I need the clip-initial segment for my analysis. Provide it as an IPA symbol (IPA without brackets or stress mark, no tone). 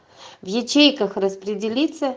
v